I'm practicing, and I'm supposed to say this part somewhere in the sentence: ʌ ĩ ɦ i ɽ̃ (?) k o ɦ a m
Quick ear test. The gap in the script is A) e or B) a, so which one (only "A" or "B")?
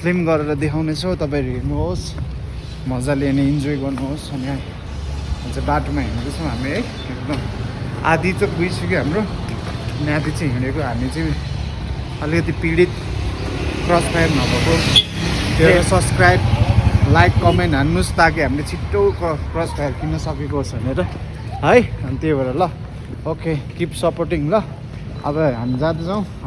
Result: A